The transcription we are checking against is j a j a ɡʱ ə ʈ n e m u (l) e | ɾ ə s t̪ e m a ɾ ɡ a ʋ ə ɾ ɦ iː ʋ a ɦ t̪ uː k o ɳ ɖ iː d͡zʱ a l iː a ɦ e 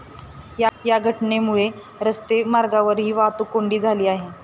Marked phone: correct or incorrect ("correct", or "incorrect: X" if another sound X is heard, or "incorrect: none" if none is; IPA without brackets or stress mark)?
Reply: incorrect: ɭ